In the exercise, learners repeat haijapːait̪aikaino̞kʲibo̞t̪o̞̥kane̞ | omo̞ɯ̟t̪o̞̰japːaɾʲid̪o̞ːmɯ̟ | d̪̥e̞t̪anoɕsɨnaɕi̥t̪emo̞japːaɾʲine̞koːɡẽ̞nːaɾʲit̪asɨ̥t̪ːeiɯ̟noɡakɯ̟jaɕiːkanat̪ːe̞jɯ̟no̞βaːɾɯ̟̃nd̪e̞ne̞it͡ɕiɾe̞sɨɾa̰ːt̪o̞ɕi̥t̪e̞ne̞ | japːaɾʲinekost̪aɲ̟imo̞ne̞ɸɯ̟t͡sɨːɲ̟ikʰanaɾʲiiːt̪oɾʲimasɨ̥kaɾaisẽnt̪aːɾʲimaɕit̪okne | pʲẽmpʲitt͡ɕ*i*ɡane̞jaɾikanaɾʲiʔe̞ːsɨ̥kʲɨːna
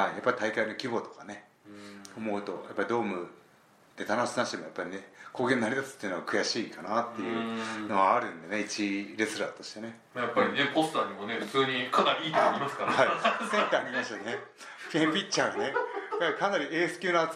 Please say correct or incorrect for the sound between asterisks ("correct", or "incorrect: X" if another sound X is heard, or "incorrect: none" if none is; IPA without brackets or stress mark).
incorrect: a